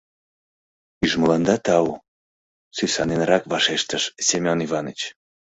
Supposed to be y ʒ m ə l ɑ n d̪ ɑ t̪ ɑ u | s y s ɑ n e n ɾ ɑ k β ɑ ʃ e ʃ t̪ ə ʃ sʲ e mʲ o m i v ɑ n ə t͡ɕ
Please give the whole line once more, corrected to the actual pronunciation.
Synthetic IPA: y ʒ m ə l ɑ n d̪ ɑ t̪ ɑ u | s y s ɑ n e n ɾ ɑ k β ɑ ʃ e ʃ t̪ ə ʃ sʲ e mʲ o n i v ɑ n ə t͡ɕ